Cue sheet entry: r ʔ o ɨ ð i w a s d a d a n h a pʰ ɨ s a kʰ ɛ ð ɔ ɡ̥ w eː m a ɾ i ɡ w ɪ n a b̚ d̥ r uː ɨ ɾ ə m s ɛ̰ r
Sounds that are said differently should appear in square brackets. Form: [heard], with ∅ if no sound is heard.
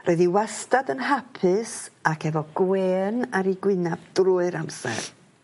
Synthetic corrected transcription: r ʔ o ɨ ð i w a s [t] a d [ə] n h a pʰ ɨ s a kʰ ɛ [v] ɔ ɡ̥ w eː [n] a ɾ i ɡ w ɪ n a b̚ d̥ r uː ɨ ɾ [a] m s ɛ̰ r